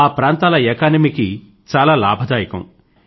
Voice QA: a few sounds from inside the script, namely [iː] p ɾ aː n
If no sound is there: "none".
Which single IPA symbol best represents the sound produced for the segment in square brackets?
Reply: aː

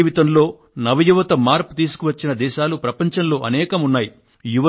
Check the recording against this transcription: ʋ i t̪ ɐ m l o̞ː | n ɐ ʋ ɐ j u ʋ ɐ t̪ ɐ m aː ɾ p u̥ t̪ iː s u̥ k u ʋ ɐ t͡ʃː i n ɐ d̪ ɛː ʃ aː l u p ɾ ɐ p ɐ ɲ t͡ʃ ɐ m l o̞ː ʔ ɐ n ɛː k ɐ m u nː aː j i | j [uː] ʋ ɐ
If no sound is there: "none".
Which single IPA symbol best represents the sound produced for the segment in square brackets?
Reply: u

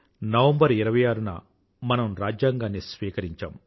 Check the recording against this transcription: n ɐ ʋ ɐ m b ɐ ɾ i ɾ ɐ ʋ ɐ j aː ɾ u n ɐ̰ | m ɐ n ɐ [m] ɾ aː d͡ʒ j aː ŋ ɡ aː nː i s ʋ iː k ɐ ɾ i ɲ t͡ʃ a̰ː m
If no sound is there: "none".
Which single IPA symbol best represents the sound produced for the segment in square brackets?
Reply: m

